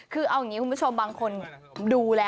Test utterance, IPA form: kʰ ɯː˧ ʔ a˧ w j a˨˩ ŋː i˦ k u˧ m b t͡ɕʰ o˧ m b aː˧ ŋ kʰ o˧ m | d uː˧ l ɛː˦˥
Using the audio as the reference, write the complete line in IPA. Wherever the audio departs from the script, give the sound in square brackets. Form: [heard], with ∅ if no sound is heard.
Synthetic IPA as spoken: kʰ ɯː˧ ʔ a˧ w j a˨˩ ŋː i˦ k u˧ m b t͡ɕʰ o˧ m b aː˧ ŋ kʰ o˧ [n] | d uː˧ l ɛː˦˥